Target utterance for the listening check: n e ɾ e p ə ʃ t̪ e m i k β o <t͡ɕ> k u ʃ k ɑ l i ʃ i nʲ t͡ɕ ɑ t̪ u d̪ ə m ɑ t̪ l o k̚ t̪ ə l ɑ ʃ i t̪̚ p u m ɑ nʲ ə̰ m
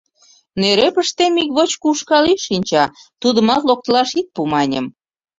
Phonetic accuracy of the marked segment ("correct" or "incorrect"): correct